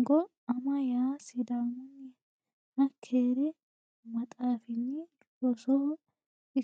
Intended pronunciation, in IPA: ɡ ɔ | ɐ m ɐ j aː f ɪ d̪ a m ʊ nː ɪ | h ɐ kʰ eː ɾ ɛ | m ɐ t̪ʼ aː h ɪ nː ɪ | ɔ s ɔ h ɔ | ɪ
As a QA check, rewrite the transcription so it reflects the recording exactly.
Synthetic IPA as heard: ɡ ɔ | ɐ m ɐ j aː s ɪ d̪ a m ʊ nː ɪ | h ɐ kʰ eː ɾ ɛ | m ɐ t̪ʼ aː f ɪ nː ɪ | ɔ s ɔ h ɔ | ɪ